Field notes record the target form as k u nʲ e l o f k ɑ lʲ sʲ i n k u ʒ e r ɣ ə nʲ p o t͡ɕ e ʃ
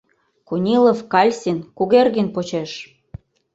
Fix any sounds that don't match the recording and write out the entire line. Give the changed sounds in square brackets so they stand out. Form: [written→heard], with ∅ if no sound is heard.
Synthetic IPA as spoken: k u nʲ [e→i] l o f k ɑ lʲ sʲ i n k u [ʒ→ɣ] e r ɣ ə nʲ p o t͡ɕ e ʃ